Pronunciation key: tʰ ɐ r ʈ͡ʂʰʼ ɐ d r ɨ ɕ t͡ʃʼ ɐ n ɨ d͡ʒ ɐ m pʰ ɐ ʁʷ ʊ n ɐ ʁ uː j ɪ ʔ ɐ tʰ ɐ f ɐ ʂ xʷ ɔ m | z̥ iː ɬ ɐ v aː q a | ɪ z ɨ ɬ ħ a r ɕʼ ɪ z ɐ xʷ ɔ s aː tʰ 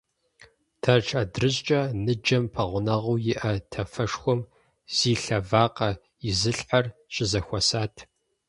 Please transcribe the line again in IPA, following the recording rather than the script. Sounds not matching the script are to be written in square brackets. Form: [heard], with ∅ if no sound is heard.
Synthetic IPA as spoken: tʰ ɐ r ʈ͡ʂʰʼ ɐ d r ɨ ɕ t͡ʃʼ ɐ n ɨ d͡ʒ ɐ m pʰ ɐ ʁʷ ʊ n ɐ ʁ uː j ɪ ʔ ɐ tʰ ɐ f ɐ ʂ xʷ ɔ m | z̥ iː ɬ ɐ v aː q [ɐ] | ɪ z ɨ ɬ ħ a r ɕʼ ɪ z ɐ xʷ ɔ s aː tʰ